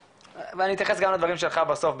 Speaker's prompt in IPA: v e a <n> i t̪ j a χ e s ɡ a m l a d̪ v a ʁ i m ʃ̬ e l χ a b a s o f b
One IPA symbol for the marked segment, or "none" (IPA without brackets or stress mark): n